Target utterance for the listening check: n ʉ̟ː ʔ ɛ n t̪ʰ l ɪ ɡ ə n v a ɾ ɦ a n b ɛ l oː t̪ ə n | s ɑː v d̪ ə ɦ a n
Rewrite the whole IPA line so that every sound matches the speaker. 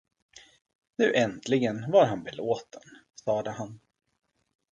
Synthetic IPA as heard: n ʉ̟ː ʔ ɛ n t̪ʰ l ɪ ɡ ə n v a ɾ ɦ a n b ɛ l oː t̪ ə n | s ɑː d̪ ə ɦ a n